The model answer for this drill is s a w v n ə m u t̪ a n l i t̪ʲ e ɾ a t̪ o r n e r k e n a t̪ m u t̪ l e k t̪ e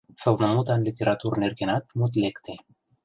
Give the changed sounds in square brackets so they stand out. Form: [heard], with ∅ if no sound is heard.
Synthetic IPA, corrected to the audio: s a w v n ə m u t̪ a n l i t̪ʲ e ɾ a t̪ [u] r n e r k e n a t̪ m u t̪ l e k t̪ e